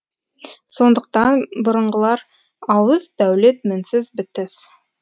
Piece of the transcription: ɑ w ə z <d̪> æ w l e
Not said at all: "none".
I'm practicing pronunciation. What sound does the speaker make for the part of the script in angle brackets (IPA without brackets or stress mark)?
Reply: d̪